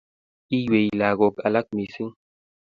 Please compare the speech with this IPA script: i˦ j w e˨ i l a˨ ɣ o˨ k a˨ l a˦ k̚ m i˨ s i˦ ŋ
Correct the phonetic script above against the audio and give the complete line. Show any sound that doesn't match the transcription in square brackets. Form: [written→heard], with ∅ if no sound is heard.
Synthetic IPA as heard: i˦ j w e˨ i l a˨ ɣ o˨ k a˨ l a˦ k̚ m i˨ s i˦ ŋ